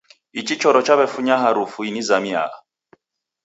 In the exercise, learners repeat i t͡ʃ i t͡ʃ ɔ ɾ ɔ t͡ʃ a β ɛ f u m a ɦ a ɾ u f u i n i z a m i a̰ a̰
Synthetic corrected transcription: i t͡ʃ i t͡ʃ ɔ ɾ ɔ t͡ʃ a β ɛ f u ɲ a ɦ a ɾ u f u i n i z a m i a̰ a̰